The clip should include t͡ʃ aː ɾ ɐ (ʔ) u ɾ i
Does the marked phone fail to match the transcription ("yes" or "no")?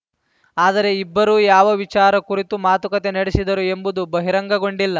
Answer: yes